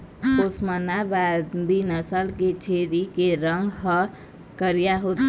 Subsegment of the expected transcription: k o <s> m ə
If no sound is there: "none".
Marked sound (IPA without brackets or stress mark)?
s